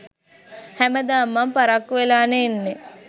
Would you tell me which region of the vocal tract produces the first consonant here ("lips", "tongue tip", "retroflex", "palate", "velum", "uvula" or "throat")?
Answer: throat